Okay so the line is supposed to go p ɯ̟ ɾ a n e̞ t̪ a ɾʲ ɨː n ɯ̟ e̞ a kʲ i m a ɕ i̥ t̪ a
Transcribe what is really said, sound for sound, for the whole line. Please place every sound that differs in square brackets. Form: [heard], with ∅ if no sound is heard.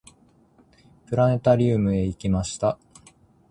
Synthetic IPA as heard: p ɯ̟ ɾ a n e̞ t̪ a ɾʲ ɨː [m] ɯ̟ e̞ [i] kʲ i m a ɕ i̥ t̪ a

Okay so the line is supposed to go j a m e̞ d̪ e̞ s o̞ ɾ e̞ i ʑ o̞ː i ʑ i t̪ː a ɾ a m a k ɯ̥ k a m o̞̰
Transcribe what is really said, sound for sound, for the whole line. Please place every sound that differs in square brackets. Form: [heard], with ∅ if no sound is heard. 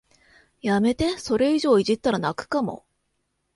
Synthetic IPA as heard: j a m e̞ [t̪] e̞ s o̞ ɾ e̞ i ʑ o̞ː i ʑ i t̪ː a ɾ a [n] a k ɯ̥ k a m o̞̰

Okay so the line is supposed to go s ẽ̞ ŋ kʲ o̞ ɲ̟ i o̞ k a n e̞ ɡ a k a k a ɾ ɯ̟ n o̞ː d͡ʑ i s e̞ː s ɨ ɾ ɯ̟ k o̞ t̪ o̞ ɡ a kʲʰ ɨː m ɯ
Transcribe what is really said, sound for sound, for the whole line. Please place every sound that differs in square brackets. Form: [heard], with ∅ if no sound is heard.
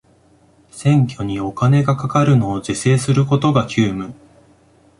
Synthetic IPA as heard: s ẽ̞ ŋ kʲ o̞ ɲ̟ i o̞ k a n e̞ ɡ a k a k a ɾ ɯ̟ n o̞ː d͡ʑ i s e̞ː s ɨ ɾ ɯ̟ k o̞ t̪ o̞ ɡ a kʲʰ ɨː m ɯ

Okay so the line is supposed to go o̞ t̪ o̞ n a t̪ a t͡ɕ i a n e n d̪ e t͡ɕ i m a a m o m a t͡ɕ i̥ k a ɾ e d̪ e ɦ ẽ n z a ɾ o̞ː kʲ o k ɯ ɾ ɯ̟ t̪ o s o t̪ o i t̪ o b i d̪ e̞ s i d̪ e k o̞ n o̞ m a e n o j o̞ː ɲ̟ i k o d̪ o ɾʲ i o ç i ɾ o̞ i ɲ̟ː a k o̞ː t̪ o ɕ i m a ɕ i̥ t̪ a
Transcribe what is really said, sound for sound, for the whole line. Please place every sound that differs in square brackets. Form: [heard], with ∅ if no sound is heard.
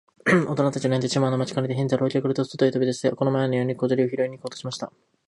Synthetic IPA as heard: o̞ t̪ o̞ n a t̪ a t͡ɕ i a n e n d̪ e t͡ɕ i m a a [n] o m a t͡ɕ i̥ k a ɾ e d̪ e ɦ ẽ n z a ɾ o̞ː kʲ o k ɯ ɾ ɯ̟ t̪ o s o t̪ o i t̪ o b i d̪ e̞ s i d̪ e k o̞ n o̞ m a e n o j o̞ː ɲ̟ i k o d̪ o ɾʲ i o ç i ɾ o̞ i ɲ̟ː [i] k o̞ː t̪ o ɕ i m a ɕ i̥ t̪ a

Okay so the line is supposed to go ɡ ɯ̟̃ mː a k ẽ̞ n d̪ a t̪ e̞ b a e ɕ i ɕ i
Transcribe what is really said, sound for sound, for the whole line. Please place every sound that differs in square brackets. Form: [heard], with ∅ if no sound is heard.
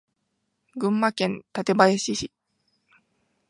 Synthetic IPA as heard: ɡ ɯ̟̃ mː a k ẽ̞ n [t̪] a t̪ e̞ b a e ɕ i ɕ i

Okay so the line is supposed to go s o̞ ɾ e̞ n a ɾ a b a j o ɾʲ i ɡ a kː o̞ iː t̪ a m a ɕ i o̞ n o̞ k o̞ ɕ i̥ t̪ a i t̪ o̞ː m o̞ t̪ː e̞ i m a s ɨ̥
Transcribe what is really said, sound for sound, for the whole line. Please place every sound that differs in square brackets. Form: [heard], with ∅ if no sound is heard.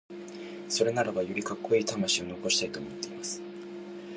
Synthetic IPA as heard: s o̞ ɾ e̞ n a ɾ a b a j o ɾʲ i [k] a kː o̞ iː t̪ a m a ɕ i o̞ n o̞ k o̞ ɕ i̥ t̪ a i t̪ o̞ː m o̞ t̪ː e̞ i m a s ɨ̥

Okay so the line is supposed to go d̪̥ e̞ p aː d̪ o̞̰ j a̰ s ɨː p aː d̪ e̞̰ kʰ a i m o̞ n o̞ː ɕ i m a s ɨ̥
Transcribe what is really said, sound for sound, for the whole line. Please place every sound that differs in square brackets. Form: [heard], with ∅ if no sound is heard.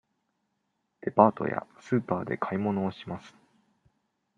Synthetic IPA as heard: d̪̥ e̞ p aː [t̪] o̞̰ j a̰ s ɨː p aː d̪ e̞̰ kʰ a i m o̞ n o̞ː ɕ i m a s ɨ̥

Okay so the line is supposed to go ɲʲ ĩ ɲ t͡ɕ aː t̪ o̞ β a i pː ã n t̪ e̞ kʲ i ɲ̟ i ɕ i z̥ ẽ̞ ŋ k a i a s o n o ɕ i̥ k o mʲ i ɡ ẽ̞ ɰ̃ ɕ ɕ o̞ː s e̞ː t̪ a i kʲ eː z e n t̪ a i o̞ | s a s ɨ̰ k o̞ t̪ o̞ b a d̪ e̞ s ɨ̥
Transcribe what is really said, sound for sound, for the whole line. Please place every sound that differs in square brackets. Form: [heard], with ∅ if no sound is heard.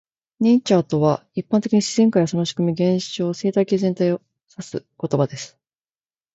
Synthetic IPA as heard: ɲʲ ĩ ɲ t͡ɕ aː t̪ o̞ β a i pː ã n t̪ e̞ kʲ i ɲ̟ i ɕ i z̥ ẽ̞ ŋ k a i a s o n o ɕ i̥ k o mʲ i ɡ ẽ̞ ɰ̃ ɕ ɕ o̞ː s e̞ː t̪ a i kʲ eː z e n t̪ a i o̞ | s a s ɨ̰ k o̞ t̪ o̞ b a d̪ e̞ s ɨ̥

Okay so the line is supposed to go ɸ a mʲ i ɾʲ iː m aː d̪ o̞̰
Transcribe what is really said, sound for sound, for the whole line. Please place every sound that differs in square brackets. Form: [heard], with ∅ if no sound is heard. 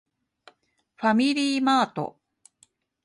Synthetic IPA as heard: ɸ a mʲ i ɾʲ iː m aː [t̪] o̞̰

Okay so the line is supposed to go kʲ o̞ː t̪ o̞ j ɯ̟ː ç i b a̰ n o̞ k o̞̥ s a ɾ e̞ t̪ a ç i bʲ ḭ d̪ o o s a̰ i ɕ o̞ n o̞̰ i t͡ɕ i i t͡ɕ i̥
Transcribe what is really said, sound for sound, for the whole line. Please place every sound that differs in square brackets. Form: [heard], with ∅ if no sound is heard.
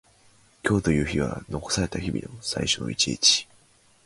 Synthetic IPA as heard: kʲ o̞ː t̪ o̞ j ɯ̟ː ç i [β] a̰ n o̞ k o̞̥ s a ɾ e̞ t̪ a ç i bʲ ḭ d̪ o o s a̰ i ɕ o̞ n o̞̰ i t͡ɕ i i t͡ɕ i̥

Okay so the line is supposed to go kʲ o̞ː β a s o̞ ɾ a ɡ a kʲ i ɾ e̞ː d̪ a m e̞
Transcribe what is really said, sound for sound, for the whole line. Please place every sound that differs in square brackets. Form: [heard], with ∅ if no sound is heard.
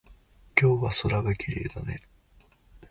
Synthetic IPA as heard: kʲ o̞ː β a s o̞ ɾ a ɡ a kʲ i ɾ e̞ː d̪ a [n] e̞

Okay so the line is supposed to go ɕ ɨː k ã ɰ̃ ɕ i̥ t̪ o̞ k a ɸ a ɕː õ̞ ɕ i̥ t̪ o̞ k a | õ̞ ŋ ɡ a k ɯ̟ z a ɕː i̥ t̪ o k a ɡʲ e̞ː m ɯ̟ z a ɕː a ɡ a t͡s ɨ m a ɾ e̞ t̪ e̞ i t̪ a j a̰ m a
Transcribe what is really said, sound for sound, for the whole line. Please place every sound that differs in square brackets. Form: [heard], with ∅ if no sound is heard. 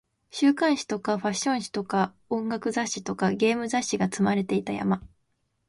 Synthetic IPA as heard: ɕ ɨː k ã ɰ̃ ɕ i̥ t̪ o̞ k a ɸ a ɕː õ̞ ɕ i̥ t̪ o̞ k a | õ̞ ŋ ɡ a k ɯ̟ z a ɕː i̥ t̪ o k a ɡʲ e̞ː m ɯ̟ z a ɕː [i] ɡ a t͡s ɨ m a ɾ e̞ t̪ e̞ i t̪ a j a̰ m a

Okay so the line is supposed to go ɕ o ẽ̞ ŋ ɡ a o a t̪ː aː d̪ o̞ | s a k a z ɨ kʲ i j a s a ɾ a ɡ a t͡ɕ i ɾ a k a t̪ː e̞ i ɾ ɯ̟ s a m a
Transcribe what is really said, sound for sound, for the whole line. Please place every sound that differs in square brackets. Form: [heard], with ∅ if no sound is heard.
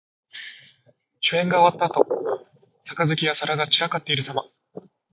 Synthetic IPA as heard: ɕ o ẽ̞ ŋ ɡ a o a t̪ː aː [t̪] o̞ | s a k a z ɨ kʲ i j a s a ɾ a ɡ a t͡ɕ i ɾ a k a t̪ː e̞ i ɾ ɯ̟ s a m a

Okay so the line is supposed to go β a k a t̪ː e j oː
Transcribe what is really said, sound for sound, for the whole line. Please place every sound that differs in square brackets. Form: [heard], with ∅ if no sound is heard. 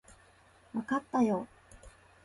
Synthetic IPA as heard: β a k a t̪ː [a] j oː

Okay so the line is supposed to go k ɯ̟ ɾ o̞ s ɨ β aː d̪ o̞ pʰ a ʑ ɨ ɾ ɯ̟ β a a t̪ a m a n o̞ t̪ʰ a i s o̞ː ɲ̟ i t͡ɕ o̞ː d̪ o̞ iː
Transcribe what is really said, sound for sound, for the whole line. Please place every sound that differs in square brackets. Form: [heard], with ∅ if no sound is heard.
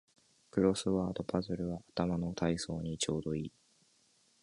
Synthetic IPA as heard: k ɯ̟ ɾ o̞ s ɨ β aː d̪ o̞ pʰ a [z] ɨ ɾ ɯ̟ β a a t̪ a m a n o̞ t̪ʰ a i s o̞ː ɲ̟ i t͡ɕ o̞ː d̪ o̞ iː

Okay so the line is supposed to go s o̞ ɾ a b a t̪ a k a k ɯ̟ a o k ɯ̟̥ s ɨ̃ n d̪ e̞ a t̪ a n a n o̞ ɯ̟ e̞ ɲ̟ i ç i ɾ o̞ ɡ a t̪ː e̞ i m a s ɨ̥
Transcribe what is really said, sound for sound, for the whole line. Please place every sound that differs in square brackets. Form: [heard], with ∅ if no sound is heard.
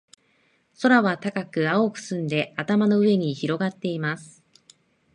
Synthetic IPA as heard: s o̞ ɾ a [β] a t̪ a k a k ɯ̟ a o k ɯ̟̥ s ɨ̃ n d̪ e̞ a t̪ a [m] a n o̞ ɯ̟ e̞ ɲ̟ i ç i ɾ o̞ ɡ a t̪ː e̞ i m a s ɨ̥

